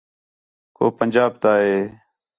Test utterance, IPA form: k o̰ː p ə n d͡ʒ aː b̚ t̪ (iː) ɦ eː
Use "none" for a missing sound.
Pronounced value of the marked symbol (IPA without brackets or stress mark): aː